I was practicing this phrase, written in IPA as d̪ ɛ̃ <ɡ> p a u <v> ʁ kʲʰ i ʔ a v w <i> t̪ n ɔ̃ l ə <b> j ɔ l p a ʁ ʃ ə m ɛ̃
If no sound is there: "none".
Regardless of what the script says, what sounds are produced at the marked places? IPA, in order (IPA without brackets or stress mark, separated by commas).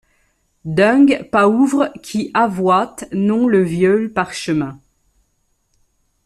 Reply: ɡ, v, a, v